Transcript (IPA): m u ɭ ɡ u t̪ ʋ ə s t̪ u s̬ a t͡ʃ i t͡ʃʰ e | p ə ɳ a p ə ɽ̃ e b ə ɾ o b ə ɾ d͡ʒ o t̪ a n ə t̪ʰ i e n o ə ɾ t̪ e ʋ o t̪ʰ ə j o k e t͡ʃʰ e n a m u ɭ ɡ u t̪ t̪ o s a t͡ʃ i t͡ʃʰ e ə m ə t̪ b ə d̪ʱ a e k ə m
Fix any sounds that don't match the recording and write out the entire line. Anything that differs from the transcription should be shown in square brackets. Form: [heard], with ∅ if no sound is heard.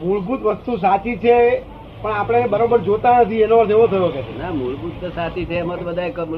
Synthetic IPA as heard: m u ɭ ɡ u t̪ ʋ ə s t̪ u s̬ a t͡ʃ i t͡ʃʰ e | p ə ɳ a p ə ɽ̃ e b ə ɾ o b ə ɾ d͡ʒ o t̪ a n ə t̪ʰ i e n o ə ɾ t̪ e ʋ o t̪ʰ ə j o k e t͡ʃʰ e n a m u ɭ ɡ u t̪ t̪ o s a t͡ʃ i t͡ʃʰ e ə m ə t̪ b ə d̪ʱ a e k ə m